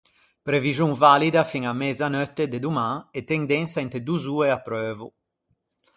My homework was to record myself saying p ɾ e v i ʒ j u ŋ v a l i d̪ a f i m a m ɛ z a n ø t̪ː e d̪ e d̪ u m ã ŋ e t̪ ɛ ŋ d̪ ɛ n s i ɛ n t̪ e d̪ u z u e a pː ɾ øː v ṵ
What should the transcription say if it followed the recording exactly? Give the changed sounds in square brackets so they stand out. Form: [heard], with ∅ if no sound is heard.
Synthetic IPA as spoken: p ɾ e v i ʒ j u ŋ v a l i d̪ a f i [ŋ] a m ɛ z a n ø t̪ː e d̪ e d̪ u m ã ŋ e t̪ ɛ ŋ d̪ ɛ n s [a] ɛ n t̪ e d̪ u z u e a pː ɾ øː v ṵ